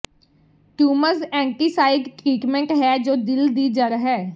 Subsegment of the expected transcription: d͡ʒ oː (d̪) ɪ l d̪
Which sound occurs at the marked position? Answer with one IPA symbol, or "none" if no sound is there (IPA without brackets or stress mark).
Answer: d̪